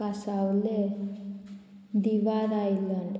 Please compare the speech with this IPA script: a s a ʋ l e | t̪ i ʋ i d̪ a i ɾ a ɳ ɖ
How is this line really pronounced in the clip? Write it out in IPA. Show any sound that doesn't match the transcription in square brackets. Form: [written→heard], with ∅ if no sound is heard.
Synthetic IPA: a s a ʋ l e | [t̪→d̪] i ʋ [i→a] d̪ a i [ɾ→l] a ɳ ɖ